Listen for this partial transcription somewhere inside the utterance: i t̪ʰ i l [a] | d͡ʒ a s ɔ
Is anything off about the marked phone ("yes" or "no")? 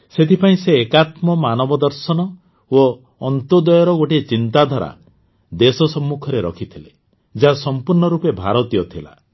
yes